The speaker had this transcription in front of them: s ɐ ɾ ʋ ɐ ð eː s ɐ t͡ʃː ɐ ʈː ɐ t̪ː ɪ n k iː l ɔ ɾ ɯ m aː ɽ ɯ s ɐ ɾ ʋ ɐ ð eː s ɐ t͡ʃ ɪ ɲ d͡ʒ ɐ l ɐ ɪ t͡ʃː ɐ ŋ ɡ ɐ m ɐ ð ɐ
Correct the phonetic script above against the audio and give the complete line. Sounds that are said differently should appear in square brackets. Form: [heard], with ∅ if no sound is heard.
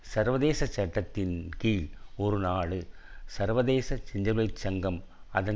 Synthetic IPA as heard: s ɐ ɾ ʋ ɐ ð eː s ɐ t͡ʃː ɐ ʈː ɐ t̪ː ɪ n k iː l ɔ ɾ ɯ [n] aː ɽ ɯ s ɐ ɾ ʋ ɐ ð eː s ɐ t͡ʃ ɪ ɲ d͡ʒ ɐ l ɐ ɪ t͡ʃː ɐ ŋ ɡ ɐ m ɐ ð ɐ